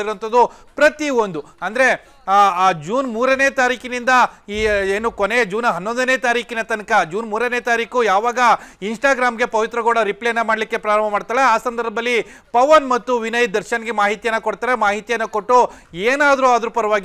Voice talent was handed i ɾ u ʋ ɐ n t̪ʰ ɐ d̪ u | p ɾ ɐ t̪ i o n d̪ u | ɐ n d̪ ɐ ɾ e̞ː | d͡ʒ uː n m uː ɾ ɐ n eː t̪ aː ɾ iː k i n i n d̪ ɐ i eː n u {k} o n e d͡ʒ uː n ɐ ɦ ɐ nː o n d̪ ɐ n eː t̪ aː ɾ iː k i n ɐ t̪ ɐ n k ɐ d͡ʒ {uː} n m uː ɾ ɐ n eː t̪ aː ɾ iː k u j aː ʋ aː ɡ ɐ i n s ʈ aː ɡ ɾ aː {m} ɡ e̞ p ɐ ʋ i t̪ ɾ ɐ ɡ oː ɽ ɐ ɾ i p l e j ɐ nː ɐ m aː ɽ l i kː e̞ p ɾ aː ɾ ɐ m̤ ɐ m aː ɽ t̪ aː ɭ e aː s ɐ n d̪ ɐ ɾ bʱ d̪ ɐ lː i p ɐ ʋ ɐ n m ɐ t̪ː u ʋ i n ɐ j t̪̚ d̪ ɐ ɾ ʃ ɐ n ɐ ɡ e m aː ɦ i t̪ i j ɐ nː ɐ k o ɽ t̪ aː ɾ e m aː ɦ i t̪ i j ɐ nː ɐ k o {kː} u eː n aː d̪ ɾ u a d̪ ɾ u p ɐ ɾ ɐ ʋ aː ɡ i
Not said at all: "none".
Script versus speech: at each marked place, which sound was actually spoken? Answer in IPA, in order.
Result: k, uː, m, ʈː

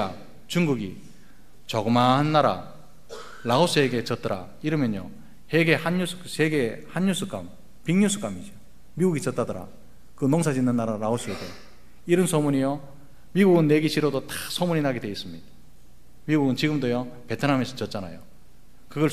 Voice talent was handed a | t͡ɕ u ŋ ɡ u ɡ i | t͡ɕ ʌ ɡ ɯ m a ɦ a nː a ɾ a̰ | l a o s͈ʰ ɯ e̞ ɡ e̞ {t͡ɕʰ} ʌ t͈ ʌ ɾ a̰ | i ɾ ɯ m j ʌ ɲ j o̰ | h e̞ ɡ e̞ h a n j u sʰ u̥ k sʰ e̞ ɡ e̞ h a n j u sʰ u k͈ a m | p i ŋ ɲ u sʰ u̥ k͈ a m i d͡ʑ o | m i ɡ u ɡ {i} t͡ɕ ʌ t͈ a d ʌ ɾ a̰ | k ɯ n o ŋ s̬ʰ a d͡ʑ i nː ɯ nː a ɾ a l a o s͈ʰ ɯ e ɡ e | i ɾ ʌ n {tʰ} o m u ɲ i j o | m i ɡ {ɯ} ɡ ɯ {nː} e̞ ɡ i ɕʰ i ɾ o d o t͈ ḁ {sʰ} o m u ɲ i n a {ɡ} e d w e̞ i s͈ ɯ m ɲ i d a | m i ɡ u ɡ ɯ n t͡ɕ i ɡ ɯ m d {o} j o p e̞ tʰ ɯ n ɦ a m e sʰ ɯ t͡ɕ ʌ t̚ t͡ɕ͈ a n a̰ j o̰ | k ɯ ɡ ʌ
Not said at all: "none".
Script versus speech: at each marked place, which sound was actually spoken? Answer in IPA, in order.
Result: t͡ɕ, i, sʰ, u, nː, sʰ, ɡ, o

